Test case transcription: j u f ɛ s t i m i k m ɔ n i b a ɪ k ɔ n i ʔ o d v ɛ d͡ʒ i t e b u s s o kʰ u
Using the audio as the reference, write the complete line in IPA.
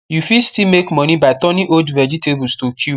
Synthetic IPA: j u f i s t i m e k m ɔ n i b a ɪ t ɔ n i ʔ o d v ɛ d͡ʒ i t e b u s t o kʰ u